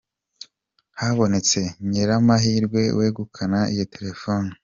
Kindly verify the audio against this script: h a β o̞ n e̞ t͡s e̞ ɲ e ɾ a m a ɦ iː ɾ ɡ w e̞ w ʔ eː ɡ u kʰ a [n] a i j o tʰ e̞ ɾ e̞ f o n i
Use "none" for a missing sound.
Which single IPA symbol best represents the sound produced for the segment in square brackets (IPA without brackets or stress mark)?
n